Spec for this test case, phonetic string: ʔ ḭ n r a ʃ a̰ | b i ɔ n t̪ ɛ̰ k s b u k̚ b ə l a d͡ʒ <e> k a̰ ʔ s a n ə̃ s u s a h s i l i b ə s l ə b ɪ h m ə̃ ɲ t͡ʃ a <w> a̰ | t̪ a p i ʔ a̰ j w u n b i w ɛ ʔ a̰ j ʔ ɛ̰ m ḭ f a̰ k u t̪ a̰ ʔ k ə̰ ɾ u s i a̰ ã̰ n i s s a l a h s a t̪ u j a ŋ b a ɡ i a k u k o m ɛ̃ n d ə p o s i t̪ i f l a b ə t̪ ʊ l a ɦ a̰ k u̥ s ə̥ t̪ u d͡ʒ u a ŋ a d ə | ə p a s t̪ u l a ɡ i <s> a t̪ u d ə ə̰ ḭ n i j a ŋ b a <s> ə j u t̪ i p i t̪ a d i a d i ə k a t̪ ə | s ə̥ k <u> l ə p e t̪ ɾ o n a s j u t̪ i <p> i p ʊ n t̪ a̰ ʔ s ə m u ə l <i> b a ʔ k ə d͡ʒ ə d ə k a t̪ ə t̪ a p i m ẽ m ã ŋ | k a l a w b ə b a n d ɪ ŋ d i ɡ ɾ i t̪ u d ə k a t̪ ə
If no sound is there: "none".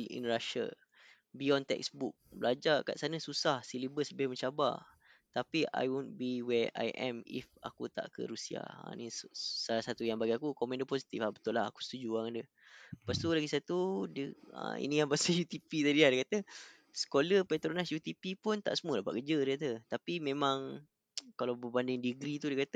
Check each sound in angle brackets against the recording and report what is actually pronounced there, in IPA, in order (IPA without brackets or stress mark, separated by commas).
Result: a, b, s, s, o, p, a